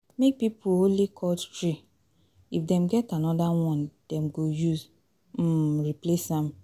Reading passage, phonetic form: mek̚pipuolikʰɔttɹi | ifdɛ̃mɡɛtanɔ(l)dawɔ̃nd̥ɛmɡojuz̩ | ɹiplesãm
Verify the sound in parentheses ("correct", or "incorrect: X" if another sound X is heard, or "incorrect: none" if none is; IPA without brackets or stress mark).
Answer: incorrect: none